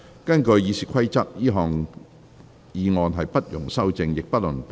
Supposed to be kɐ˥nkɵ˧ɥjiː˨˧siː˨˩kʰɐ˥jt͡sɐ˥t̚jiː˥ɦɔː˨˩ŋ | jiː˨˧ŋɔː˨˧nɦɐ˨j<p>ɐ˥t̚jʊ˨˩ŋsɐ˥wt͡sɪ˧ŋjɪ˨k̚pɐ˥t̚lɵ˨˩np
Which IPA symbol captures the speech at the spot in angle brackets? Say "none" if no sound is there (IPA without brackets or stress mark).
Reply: p